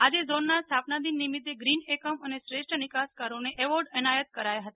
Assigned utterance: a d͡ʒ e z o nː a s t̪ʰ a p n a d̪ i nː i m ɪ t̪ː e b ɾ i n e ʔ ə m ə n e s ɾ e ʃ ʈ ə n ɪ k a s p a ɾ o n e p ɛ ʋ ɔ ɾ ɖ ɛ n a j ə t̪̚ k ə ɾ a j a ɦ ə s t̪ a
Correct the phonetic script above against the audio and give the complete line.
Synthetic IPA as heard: a d͡ʒ e z o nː a s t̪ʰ a p n a d̪ i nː i m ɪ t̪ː e ɡ ɾ i n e k ə m ə n e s ɾ e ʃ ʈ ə n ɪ k a s k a ɾ o n e ʔ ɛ ʋ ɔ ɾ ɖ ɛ n a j ə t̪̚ k ə ɾ a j a ɦ ə t̪ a